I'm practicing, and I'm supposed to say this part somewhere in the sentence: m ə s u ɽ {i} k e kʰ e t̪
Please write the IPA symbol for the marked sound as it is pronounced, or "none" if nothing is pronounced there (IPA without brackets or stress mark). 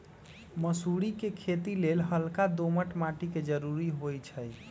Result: i